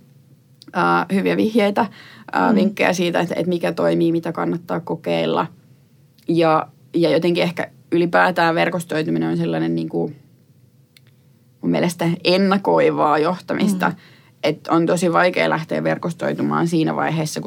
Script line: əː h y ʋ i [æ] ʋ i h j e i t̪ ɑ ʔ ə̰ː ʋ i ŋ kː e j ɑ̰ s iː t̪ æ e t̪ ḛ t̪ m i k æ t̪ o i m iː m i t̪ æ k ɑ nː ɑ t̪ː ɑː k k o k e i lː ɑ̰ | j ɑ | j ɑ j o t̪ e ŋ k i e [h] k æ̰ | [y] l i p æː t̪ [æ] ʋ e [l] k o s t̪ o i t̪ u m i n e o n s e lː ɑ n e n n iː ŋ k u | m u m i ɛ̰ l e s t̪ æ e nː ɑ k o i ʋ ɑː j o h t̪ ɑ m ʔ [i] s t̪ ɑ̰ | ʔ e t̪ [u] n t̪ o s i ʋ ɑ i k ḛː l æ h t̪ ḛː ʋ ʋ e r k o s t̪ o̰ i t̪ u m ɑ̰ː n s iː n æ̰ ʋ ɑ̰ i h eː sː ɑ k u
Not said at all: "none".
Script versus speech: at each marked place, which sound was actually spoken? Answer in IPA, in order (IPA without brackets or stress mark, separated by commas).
æ, h, y, æː, r, i, o